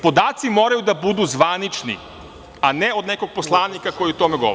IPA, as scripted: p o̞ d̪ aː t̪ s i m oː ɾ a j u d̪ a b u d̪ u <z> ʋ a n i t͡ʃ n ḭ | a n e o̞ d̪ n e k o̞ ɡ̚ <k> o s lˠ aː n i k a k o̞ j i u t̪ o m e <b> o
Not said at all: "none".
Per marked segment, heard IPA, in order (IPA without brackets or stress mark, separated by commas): z, p, ɡ